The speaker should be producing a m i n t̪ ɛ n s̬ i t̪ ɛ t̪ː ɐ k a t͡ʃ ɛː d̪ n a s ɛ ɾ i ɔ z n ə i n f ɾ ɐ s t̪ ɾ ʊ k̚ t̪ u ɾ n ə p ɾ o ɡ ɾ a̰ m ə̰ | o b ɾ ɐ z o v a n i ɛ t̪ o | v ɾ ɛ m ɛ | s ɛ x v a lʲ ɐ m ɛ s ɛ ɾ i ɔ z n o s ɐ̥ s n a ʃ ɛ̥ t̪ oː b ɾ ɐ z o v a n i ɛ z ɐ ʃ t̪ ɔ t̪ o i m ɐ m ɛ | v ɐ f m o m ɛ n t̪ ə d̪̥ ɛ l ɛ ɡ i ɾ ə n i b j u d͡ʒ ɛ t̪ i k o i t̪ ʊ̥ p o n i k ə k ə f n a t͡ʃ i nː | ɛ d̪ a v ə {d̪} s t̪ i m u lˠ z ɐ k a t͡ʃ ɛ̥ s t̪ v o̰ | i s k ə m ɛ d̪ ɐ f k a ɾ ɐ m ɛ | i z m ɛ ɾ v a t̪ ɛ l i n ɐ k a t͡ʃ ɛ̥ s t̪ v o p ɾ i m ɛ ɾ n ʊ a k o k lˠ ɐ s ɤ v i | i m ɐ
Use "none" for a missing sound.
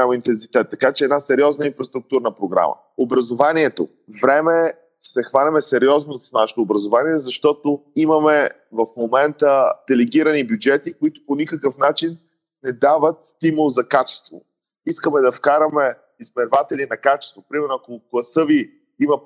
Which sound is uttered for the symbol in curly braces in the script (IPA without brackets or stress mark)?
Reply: t̪